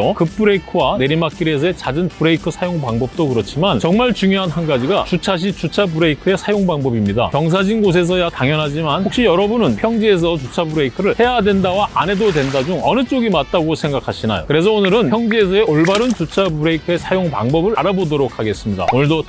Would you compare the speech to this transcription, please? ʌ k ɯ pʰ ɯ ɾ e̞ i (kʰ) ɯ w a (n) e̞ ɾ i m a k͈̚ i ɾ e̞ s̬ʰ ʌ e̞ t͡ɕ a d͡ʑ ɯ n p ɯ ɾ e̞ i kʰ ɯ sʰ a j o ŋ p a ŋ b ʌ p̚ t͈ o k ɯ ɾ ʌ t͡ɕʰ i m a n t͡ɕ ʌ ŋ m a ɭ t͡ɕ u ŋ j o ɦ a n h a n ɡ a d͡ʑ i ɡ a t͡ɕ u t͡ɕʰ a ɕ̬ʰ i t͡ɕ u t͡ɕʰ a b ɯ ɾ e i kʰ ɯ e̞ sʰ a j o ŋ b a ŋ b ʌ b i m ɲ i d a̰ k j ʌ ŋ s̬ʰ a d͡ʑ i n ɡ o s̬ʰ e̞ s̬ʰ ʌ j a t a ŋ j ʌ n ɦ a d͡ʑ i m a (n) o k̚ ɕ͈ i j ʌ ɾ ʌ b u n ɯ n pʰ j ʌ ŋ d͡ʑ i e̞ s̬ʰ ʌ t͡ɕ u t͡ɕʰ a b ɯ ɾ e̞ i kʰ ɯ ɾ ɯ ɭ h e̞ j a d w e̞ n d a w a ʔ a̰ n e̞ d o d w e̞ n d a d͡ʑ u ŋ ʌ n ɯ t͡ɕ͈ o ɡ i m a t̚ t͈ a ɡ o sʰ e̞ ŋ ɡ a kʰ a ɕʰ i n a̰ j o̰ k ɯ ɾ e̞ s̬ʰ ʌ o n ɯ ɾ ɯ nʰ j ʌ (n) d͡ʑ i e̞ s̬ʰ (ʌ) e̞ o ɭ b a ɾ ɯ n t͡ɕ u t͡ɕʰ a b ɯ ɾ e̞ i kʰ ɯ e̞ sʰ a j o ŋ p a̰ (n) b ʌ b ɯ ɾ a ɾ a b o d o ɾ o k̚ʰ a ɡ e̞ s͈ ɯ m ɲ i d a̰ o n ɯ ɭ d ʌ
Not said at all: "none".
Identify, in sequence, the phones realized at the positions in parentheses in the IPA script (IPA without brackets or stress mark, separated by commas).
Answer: kʰ, n, n, ŋ, ʌ, ŋ